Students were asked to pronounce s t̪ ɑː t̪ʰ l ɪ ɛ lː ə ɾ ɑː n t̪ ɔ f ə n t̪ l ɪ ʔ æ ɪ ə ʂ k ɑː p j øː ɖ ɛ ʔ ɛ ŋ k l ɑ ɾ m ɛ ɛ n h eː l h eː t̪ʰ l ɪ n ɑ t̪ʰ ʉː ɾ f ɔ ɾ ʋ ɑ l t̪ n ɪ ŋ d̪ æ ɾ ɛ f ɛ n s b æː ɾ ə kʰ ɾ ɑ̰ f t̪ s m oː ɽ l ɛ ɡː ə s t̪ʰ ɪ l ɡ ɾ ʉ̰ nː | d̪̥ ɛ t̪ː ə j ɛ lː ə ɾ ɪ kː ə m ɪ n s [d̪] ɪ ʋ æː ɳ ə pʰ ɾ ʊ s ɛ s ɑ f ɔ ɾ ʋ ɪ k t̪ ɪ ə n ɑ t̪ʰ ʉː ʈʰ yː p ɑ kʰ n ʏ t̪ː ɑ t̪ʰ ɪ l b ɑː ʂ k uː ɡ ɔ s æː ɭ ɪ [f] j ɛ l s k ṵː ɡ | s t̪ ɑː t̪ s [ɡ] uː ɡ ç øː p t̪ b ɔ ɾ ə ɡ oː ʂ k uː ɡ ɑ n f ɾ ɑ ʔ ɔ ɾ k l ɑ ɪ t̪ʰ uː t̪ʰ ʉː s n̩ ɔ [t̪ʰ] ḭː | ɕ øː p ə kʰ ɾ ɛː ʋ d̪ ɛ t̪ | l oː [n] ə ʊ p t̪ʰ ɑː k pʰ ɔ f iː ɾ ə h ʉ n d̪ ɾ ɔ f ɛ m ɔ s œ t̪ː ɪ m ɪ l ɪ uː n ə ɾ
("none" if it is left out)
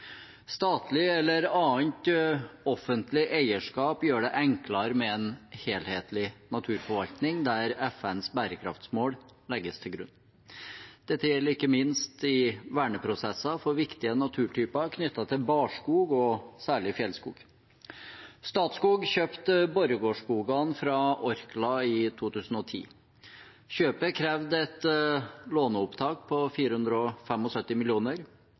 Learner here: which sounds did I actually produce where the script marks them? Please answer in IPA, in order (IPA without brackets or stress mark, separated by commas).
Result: t̪, f, k, t̪ʰ, n